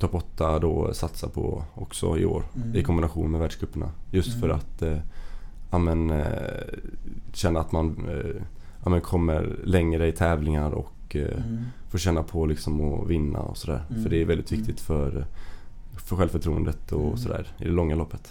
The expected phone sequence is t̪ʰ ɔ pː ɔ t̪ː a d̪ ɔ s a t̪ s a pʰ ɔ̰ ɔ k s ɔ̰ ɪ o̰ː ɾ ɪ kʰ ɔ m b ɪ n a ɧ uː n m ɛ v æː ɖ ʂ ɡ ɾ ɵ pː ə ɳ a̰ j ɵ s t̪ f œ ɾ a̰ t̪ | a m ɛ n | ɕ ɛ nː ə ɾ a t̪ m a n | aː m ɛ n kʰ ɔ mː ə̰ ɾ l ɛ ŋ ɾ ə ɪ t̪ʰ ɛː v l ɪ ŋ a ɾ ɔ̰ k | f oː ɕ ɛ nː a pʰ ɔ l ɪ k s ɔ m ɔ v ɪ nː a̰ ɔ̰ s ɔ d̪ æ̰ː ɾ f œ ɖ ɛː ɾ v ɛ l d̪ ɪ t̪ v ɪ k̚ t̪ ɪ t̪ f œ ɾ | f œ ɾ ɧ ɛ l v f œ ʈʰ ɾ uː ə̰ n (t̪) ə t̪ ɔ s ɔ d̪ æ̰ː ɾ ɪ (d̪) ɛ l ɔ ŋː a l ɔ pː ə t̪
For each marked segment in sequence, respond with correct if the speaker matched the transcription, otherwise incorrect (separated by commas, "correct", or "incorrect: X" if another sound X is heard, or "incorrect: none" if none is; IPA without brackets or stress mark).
incorrect: d̪, correct